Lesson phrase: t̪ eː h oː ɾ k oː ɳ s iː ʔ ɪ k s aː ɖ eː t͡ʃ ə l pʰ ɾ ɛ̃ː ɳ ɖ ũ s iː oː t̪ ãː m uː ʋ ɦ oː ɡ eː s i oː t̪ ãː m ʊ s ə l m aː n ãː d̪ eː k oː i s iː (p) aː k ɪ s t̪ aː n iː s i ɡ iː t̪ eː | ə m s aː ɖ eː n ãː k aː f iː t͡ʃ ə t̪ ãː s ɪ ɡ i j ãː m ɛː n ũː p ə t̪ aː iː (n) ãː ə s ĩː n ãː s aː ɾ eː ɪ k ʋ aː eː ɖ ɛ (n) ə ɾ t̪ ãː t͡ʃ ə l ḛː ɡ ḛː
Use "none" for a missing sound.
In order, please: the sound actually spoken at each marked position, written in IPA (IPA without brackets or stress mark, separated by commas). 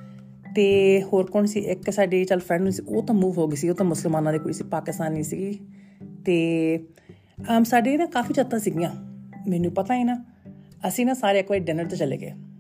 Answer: p, n, n